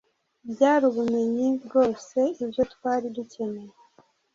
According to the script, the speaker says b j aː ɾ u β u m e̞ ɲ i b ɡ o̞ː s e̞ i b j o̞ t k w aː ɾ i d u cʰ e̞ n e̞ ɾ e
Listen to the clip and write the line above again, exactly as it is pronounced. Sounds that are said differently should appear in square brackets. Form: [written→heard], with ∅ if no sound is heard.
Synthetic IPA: b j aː ɾ u β u m e̞ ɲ i b ɡ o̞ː s e̞ i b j o̞ t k w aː ɾ i d u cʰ e̞ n e̞ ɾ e